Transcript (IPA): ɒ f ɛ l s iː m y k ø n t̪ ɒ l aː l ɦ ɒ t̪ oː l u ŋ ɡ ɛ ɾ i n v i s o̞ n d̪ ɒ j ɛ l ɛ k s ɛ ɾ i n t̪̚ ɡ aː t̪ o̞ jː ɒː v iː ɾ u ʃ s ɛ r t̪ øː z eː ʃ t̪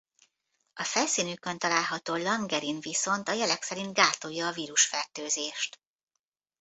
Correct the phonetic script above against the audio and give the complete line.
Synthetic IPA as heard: ɒ f ɛ l s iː n y k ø n t̪ ɒ l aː l ɦ ɒ t̪ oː l ɒ ŋ ɡ ɛ ɾ i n v i s o̞ n t̪ ɒ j ɛ l ɛ k s ɛ ɾ i n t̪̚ ɡ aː t̪ o̞ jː ɒː v iː ɾ u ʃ f ɛ r t̪ øː z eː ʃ t̪